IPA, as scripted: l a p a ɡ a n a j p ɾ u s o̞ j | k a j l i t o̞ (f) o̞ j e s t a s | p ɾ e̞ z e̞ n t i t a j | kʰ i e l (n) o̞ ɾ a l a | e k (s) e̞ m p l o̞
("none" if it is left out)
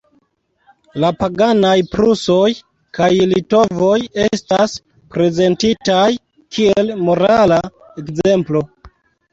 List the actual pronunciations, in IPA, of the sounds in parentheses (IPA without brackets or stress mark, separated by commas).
v, m, z